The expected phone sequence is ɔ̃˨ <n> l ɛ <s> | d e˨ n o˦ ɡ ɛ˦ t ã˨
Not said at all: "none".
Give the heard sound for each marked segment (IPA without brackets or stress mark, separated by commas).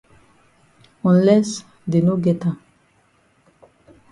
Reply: n, s